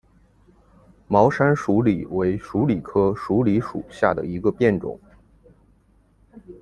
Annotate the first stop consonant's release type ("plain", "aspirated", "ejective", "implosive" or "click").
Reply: aspirated